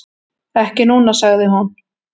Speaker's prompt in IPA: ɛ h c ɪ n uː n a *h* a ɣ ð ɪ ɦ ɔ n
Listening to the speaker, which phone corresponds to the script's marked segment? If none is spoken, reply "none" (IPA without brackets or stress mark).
s